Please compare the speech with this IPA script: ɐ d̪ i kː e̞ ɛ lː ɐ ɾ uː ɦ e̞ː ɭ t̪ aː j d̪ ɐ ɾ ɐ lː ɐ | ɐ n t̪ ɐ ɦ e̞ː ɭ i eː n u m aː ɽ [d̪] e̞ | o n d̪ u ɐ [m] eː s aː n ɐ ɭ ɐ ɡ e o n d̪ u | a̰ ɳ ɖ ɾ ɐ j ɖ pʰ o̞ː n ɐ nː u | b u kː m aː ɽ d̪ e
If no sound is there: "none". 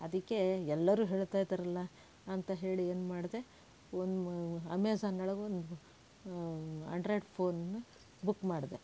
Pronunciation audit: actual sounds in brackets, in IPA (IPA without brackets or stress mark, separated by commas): d̪, m